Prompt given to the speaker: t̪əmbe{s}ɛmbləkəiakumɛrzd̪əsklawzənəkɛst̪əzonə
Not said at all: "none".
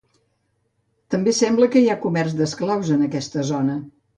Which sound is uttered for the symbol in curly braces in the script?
s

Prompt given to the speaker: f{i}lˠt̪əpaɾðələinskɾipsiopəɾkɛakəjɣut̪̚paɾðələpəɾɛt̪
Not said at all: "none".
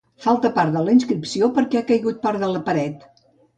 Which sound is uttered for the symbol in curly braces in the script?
a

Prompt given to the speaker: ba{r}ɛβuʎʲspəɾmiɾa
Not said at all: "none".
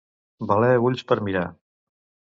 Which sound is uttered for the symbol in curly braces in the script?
l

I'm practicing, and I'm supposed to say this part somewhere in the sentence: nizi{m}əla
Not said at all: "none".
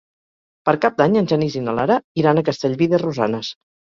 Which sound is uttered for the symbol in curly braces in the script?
n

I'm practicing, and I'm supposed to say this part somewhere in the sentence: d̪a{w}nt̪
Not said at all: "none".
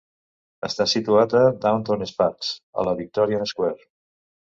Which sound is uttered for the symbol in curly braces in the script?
w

